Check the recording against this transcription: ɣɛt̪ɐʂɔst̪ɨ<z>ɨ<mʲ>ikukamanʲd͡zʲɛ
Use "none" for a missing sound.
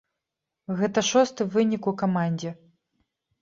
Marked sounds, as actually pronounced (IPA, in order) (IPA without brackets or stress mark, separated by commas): v, nʲ